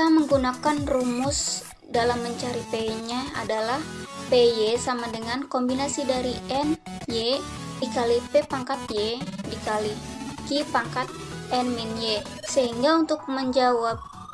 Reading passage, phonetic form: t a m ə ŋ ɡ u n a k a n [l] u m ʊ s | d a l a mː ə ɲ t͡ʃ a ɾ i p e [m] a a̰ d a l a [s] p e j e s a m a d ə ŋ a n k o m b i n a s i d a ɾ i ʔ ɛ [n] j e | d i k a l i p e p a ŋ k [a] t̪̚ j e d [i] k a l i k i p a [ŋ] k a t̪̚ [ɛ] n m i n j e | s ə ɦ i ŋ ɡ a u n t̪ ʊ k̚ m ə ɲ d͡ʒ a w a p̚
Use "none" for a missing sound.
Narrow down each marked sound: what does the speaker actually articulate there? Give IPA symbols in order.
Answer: r, ɲ, h, n, a, i, ŋ, ɛ

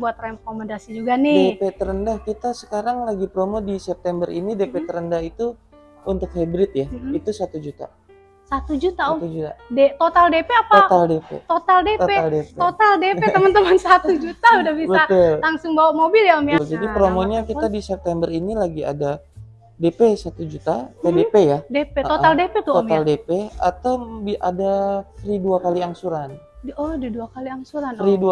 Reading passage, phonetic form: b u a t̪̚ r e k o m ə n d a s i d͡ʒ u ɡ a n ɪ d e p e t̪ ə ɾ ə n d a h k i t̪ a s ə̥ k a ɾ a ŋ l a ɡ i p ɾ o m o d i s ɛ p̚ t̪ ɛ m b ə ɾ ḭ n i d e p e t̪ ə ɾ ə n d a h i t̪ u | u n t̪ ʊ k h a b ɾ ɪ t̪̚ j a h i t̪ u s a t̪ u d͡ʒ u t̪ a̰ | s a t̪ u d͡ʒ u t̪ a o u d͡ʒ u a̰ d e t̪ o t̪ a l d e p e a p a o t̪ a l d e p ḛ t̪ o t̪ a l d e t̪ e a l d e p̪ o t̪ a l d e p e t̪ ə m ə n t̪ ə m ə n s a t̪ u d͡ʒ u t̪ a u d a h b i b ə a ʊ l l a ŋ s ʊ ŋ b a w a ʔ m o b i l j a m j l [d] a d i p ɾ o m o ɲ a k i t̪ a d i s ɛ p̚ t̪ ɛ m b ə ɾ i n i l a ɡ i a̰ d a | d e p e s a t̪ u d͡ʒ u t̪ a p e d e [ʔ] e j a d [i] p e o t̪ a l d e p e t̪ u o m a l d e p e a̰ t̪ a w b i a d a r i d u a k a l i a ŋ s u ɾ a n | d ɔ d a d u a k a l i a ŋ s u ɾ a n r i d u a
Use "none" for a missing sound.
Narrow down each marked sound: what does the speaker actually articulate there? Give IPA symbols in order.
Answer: d͡ʒ, p, e

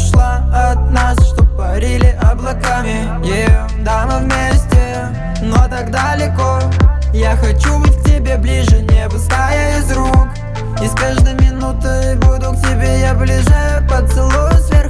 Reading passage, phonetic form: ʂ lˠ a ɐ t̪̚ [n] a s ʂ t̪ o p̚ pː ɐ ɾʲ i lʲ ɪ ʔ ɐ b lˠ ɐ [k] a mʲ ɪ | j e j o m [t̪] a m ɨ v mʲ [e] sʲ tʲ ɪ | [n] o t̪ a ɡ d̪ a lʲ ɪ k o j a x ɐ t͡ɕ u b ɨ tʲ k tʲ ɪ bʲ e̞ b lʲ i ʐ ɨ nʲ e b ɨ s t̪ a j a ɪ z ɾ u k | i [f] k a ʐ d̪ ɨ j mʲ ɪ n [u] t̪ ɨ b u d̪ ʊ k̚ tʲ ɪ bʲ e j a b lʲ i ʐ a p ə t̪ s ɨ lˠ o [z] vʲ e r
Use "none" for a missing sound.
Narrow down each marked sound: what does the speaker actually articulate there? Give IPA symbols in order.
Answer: n, k, d̪, e, n, s, u, s

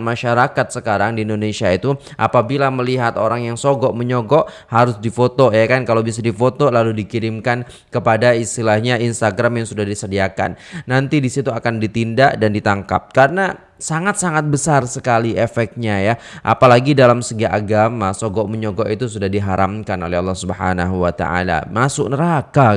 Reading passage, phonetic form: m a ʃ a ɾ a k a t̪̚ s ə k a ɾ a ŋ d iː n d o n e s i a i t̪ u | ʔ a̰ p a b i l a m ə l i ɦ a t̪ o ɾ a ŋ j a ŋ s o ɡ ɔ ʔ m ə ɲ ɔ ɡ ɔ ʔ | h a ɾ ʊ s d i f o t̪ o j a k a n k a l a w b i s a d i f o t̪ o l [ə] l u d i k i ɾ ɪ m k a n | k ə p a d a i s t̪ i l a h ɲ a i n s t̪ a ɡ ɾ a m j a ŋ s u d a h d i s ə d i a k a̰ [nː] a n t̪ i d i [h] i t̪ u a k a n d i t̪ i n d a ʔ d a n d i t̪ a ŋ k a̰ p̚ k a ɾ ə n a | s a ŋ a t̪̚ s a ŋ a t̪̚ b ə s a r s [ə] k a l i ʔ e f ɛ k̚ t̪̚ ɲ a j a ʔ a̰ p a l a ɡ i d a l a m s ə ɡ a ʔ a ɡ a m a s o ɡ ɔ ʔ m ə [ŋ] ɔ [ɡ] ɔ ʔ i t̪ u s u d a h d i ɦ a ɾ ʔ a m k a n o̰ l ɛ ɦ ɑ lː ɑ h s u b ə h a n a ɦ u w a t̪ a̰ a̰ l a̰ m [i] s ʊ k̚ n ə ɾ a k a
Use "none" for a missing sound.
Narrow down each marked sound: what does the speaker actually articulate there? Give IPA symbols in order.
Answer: a, nː, s, ə, ɲ, ɡ, a

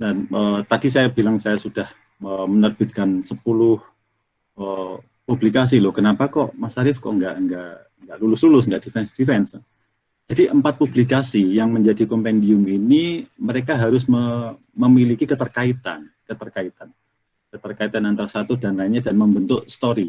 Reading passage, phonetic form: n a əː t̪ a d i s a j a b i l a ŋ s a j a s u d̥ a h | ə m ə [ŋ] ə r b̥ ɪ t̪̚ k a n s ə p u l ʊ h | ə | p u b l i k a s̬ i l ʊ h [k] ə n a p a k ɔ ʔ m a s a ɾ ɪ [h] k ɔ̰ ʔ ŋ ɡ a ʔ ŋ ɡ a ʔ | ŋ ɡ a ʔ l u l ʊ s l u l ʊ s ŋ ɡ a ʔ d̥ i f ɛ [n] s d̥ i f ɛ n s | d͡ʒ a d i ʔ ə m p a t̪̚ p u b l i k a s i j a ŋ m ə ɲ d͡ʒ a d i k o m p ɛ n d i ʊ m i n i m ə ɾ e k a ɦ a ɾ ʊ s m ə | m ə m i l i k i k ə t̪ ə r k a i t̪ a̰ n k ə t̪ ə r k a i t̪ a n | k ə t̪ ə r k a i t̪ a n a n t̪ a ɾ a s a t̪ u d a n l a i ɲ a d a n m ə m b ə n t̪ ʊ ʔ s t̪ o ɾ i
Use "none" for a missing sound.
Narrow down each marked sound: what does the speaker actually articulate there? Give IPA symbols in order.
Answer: n, k, f, n

